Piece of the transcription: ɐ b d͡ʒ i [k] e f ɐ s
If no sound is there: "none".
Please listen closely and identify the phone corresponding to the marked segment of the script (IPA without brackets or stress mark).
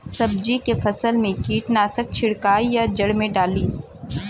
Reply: k